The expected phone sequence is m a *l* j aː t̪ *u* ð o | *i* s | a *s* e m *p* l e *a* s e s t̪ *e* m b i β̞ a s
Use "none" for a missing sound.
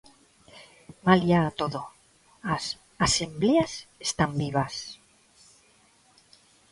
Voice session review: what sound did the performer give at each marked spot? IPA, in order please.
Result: l, o, a, s, b, a, a

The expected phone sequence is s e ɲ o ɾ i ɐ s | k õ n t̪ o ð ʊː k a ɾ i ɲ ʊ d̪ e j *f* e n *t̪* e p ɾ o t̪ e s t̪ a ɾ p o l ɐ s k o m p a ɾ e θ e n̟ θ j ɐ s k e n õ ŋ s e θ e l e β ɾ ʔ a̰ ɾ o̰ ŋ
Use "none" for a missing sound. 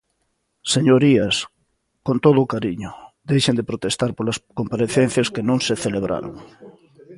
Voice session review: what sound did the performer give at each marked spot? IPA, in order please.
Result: ʃ, d̪

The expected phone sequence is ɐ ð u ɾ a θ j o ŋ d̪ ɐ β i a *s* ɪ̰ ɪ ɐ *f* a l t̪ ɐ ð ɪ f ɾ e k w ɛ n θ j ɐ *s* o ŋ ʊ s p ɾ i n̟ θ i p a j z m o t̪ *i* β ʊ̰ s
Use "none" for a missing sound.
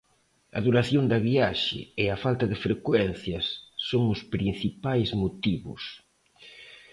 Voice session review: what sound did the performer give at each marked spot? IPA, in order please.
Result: ʃ, f, sː, i

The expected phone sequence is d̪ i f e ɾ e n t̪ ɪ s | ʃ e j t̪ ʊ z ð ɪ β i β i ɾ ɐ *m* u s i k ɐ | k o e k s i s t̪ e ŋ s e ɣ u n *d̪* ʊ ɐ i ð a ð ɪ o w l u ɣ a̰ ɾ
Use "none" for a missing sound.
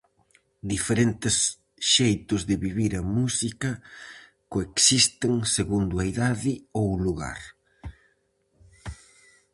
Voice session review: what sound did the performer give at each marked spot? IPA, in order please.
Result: m, d̪

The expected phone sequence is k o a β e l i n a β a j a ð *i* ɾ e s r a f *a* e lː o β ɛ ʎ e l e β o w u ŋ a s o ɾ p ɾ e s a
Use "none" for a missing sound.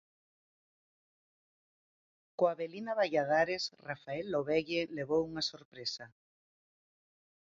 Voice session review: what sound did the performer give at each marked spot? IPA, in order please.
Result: a, a

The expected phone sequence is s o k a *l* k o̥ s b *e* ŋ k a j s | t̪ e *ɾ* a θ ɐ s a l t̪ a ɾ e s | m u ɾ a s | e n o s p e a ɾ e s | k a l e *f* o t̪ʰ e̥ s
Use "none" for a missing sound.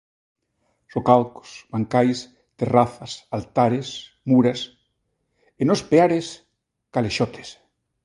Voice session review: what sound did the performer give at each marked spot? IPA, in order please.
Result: l, a, r, ʃ

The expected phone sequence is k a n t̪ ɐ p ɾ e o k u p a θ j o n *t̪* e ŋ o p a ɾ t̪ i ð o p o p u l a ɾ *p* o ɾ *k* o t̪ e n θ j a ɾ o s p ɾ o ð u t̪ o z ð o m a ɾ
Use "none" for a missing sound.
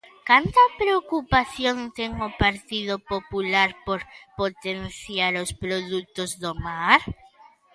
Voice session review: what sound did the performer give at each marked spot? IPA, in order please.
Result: t̪, p, p

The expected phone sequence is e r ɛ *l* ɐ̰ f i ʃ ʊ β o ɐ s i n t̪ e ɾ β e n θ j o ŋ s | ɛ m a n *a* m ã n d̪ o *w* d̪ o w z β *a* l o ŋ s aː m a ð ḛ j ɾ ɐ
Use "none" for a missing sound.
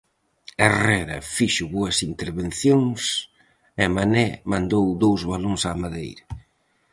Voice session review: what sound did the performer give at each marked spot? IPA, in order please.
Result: ɾ, ɛ, w, a

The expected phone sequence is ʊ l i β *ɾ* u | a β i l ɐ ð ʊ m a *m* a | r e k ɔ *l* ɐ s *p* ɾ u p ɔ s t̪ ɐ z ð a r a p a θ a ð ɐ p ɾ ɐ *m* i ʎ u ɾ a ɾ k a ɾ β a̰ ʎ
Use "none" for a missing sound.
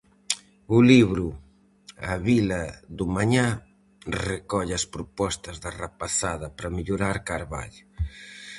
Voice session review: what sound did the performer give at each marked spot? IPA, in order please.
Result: ɾ, ɲ, ʎ, p, m

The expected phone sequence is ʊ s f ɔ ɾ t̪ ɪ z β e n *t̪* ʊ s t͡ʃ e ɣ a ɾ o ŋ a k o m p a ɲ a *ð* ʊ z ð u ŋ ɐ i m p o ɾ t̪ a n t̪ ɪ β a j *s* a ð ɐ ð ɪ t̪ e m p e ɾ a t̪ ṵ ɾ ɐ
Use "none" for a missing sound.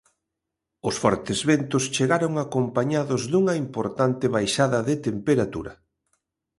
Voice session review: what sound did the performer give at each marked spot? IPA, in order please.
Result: t̪, ð, ʃ

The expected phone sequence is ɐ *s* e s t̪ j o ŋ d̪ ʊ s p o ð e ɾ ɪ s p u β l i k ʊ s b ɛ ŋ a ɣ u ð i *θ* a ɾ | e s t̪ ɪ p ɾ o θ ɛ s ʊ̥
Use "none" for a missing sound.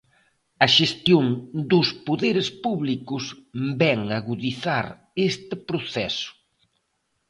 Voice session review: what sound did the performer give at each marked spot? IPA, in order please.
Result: ʃ, θ

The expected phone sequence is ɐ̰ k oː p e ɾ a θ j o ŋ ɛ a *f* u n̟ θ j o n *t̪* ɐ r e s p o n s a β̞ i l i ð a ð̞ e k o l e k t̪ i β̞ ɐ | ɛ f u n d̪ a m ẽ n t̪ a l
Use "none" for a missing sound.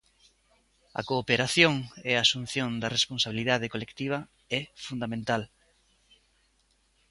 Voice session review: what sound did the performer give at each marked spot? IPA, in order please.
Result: s, d̪

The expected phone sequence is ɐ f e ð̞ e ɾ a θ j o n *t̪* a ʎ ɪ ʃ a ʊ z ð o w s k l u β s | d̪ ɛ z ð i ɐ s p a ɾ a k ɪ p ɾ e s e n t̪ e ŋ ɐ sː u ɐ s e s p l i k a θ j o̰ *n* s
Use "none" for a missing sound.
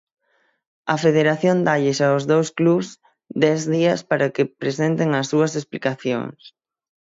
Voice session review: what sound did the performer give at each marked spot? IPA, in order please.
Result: d̪, ŋ

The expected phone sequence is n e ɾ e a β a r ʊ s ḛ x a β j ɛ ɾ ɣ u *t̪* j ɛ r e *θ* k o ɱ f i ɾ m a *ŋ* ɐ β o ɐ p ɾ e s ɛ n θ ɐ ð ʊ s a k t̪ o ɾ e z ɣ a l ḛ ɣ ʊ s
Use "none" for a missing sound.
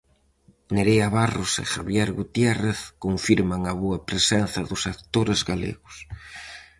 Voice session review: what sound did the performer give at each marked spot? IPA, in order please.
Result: t̪, θ, ŋ

